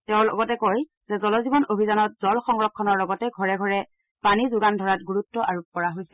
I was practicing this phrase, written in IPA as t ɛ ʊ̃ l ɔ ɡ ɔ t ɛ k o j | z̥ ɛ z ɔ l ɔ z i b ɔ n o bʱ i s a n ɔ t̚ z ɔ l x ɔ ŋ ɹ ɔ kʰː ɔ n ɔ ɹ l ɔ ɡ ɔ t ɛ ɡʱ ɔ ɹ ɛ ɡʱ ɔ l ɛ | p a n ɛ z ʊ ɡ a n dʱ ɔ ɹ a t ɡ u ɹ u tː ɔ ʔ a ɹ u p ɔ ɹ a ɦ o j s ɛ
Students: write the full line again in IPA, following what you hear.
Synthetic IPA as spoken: t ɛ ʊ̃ l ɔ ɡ ɔ t ɛ k o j | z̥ ɛ z ɔ l ɔ z i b ɔ n o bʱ i z a n ɔ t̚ z ɔ l x ɔ ŋ ɹ ɔ kʰː ɔ n ɔ ɹ l ɔ ɡ ɔ t ɛ ɡʱ ɔ ɹ ɛ ɡʱ ɔ ɹ ɛ | p a n i z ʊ ɡ a n dʱ ɔ ɹ a t ɡ u ɹ u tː ɔ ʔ a ɹ u p ɔ ɹ a ɦ o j s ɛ